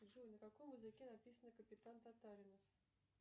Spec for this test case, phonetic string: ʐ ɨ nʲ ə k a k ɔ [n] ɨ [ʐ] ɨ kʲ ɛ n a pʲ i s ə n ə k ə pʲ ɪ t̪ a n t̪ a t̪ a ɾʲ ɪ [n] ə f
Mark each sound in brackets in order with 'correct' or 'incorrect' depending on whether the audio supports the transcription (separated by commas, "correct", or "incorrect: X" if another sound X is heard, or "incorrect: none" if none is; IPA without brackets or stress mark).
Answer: incorrect: m, incorrect: z, correct